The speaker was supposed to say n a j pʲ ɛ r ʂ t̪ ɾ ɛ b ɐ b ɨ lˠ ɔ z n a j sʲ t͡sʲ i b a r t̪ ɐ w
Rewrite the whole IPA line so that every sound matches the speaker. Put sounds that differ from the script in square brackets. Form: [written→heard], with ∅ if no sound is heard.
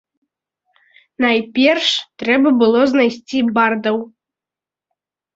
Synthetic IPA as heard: n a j pʲ ɛ r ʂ t̪ ɾ ɛ b ɐ b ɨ lˠ ɔ z n a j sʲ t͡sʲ i b a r [t̪→d̪] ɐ w